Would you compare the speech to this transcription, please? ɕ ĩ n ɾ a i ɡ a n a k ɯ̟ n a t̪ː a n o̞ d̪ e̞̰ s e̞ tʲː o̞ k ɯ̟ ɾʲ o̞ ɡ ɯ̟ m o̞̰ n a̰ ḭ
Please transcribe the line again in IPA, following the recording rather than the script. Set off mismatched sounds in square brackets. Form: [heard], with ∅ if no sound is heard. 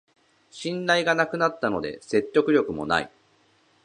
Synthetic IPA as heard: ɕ ĩ n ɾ a i ɡ a n a k ɯ̟ n a t̪ː a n o̞ d̪ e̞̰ s e̞ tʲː o̞ k ɯ̟ ɾʲ o̞ [k] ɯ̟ m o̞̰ n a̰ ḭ